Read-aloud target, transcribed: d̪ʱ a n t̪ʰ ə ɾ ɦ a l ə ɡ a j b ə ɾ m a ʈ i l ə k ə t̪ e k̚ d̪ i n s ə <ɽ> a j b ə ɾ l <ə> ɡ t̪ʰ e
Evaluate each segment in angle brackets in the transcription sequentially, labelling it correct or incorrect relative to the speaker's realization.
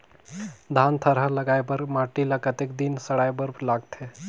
correct, incorrect

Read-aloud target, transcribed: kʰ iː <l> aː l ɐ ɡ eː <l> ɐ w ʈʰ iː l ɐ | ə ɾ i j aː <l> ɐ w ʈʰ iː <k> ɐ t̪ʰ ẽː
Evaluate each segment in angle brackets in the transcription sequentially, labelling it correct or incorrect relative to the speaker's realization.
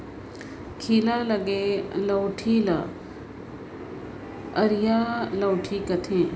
correct, correct, correct, correct

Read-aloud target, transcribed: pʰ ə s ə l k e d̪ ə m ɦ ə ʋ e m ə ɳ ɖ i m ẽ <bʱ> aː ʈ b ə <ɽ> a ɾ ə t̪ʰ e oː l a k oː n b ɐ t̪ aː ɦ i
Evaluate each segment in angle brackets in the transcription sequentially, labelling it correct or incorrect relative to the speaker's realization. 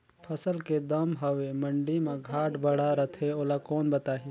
incorrect, correct

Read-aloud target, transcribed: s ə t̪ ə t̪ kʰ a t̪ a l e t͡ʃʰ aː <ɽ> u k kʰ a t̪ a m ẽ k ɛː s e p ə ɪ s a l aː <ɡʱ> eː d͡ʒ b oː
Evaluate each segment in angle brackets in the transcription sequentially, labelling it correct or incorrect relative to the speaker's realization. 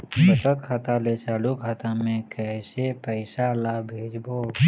incorrect, incorrect

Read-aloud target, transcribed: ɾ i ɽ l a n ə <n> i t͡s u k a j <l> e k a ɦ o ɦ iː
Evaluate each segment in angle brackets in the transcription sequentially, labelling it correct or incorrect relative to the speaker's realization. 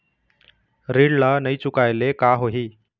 incorrect, correct

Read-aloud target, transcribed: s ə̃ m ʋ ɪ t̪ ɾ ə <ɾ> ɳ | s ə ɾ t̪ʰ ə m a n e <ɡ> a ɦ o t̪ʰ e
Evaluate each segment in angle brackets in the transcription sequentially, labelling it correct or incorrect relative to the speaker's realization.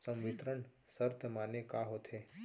incorrect, incorrect

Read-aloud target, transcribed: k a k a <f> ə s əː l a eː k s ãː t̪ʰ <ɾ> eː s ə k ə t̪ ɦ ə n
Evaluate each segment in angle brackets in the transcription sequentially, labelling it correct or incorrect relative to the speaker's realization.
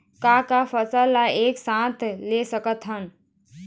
correct, incorrect

